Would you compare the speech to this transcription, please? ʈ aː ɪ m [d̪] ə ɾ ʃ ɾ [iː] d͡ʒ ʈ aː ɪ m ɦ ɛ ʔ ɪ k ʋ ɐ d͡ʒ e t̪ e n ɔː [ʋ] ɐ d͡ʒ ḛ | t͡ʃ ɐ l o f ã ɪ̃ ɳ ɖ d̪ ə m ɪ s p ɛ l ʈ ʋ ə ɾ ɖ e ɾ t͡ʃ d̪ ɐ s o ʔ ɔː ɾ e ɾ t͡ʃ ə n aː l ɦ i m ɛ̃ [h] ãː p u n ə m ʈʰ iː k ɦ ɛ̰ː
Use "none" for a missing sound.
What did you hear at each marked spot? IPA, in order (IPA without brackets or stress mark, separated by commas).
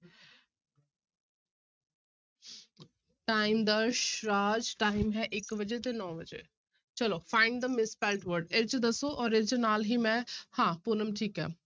d̪, aː, ʋ, h